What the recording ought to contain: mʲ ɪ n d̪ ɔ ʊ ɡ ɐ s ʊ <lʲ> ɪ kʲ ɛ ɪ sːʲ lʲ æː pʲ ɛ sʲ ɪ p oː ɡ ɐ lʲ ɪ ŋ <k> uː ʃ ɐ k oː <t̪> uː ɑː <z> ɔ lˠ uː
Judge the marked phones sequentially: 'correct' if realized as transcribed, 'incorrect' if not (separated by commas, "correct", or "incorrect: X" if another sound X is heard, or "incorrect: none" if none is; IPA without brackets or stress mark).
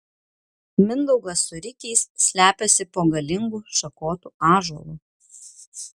incorrect: ɾʲ, incorrect: ɡ, correct, incorrect: ʒ